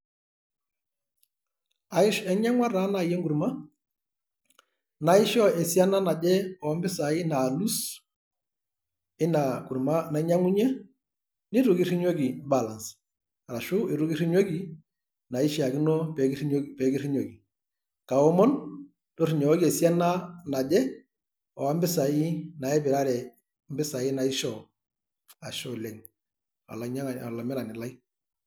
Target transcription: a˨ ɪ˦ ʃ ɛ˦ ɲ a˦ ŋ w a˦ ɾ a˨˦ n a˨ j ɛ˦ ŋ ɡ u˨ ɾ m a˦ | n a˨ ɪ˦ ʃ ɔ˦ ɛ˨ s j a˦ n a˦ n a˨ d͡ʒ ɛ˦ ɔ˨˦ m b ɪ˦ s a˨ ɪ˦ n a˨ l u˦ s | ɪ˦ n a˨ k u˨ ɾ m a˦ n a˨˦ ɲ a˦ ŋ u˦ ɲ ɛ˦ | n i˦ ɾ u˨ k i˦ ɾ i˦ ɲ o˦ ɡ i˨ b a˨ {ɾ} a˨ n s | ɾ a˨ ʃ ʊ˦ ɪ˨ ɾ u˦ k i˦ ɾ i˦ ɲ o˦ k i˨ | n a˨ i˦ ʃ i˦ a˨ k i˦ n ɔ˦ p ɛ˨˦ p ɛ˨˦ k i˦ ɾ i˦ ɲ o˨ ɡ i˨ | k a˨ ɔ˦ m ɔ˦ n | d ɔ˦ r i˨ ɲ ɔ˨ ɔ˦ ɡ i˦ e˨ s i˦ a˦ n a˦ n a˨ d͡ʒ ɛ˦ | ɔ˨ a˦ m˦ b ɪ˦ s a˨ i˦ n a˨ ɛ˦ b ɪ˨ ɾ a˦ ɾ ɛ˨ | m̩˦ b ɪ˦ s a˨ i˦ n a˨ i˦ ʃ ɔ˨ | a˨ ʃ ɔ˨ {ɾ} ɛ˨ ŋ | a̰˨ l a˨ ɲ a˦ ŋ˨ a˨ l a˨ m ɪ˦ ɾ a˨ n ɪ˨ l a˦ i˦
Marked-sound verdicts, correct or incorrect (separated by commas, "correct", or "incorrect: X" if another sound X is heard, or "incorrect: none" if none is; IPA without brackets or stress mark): incorrect: l, incorrect: l